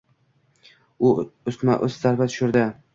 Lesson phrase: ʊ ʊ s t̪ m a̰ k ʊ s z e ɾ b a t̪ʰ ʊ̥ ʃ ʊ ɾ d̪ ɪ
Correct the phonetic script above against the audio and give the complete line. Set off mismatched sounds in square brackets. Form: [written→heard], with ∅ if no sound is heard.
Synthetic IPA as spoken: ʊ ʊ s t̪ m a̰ [k→ʔ] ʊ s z [e→a] ɾ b a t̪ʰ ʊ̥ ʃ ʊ ɾ d̪ ɪ